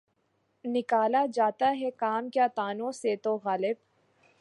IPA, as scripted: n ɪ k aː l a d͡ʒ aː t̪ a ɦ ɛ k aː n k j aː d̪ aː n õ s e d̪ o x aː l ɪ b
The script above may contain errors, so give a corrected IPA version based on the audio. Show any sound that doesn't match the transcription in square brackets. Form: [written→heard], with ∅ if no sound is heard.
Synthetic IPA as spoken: n ɪ k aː l a d͡ʒ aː t̪ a ɦ ɛ k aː [n→m] k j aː [d̪→t̪] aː n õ s e [d̪→t̪] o [x→ɣ] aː l ɪ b